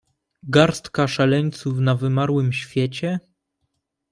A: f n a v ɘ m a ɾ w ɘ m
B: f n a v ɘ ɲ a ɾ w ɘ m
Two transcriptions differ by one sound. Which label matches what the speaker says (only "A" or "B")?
A